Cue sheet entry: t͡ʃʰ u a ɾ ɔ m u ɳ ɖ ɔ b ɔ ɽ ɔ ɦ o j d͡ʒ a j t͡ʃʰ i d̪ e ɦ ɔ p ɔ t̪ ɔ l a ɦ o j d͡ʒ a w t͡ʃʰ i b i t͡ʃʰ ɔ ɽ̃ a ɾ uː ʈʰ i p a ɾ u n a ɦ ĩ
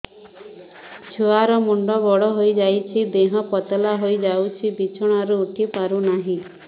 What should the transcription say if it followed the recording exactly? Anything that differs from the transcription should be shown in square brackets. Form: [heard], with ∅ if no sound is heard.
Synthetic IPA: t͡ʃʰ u a ɾ ɔ m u ɳ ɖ ɔ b ɔ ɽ ɔ ɦ o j d͡ʒ a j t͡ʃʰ i d̪ e ɦ ɔ p ɔ t̪ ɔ l a ɦ o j d͡ʒ a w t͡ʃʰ i b i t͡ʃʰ ɔ ɽ̃ a ɾ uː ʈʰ i p a ɾ u n a ɦ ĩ

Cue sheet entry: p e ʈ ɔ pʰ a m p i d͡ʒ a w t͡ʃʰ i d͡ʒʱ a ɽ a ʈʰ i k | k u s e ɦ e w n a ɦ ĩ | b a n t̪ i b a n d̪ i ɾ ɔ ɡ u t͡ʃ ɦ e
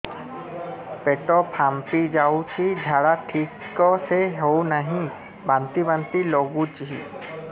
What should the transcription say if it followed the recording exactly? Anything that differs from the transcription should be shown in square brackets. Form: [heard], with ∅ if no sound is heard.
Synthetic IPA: p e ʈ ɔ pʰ a m p i d͡ʒ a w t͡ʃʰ i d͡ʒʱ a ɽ a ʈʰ i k | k [ɔ] s e ɦ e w n a ɦ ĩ | b a n t̪ i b a n [t̪] i [l] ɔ ɡ u t͡ʃ ɦ [i]

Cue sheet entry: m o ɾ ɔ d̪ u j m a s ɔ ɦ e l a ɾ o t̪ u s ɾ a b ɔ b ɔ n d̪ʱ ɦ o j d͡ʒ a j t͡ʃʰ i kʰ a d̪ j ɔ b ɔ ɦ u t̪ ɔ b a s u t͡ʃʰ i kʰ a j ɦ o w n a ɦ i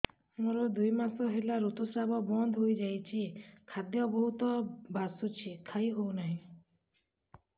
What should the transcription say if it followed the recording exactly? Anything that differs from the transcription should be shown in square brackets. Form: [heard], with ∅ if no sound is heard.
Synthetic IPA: m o ɾ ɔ d̪ u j m a s ɔ ɦ e l a ɾ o t̪ u s ɾ a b ɔ b ɔ n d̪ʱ ɦ o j d͡ʒ a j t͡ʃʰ i kʰ a d̪ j ɔ b ɔ ɦ u t̪ ɔ b a s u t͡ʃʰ i kʰ a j ɦ o w n a ɦ [ĩ]

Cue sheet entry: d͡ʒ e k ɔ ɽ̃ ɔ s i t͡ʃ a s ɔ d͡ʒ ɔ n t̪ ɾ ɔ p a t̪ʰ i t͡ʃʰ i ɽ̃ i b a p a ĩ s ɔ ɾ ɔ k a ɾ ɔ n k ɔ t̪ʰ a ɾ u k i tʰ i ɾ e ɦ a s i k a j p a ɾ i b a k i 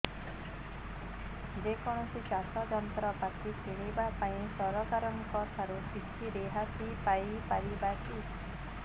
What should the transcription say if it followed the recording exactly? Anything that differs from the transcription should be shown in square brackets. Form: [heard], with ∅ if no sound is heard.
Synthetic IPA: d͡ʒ e k ɔ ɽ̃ ɔ s i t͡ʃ a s ɔ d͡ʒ ɔ n t̪ ɾ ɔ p a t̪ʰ i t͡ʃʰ i ɽ̃ i b a p a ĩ s ɔ ɾ ɔ k a ɾ ɔ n k ɔ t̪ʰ a ɾ u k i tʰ i ɾ e ɦ a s i [p] a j p a ɾ i b a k i

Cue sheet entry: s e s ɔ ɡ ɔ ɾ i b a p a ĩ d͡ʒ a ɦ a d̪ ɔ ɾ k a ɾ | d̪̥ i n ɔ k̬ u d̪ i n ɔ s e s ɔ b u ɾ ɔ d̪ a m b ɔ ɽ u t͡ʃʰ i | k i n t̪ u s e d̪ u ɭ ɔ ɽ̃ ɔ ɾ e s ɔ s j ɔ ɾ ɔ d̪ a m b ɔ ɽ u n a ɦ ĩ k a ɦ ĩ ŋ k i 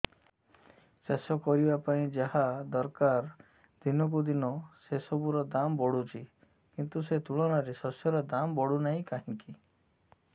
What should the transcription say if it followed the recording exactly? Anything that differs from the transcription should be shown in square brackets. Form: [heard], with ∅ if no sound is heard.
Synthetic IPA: s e s ɔ [k] ɔ ɾ i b a p a ĩ d͡ʒ a ɦ a d̪ ɔ ɾ k a ɾ | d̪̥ i n ɔ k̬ u d̪ i n ɔ s e s ɔ b u ɾ ɔ d̪ a m b ɔ ɽ u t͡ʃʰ i | k i n t̪ u s e [t̪] u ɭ ɔ ɽ̃ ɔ ɾ e s ɔ s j ɔ ɾ ɔ d̪ a m b ɔ ɽ u n a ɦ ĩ k a ɦ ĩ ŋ k i

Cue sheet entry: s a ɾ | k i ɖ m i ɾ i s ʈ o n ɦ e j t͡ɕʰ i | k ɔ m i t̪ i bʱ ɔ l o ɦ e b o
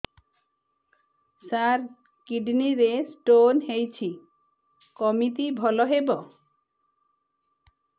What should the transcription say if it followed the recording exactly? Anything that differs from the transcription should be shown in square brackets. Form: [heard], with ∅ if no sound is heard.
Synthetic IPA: s a ɾ | k i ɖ [n] i ɾ [e] s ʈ o n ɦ e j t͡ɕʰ i | k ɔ m i t̪ i bʱ ɔ l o ɦ e b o

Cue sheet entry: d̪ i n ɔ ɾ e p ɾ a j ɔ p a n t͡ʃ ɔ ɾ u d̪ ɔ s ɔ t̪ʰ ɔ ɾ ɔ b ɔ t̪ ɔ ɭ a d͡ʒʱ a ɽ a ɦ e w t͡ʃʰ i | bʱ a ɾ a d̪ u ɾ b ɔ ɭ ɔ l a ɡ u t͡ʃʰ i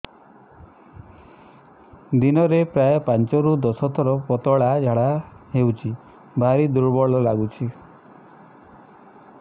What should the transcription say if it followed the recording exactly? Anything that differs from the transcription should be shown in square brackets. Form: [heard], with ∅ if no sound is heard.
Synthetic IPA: d̪ i n ɔ ɾ e p ɾ a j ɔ p a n t͡ʃ ɔ ɾ u d̪ ɔ s ɔ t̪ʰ ɔ ɾ ɔ [p] ɔ t̪ ɔ ɭ a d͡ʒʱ a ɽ a ɦ e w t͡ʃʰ i | bʱ a ɾ [i] d̪ u ɾ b ɔ ɭ ɔ l a ɡ u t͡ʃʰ i

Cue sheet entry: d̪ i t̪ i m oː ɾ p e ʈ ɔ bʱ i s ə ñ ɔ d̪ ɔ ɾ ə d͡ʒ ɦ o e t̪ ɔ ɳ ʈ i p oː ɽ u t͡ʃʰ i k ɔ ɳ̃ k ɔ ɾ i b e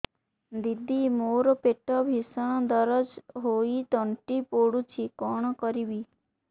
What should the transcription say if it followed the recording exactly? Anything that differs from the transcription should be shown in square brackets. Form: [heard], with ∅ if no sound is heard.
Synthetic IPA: d̪ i [d̪] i m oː ɾ p e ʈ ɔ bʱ i s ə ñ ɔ d̪ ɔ ɾ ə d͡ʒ ɦ o [i] t̪ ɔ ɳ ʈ i p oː ɽ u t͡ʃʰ i k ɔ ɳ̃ k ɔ ɾ i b [i]

